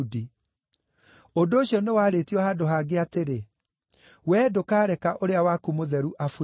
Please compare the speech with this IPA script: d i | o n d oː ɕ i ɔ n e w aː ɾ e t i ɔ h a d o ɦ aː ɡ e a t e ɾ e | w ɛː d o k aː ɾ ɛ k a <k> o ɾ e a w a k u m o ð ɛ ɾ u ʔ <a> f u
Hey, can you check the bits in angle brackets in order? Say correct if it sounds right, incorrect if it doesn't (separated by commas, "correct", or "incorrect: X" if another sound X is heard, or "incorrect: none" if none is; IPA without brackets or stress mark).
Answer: incorrect: ʔ, correct